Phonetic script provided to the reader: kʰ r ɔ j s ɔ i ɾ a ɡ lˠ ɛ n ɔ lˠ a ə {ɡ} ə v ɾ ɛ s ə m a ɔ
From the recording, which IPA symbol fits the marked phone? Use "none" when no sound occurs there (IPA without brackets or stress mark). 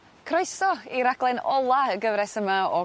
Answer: ɡ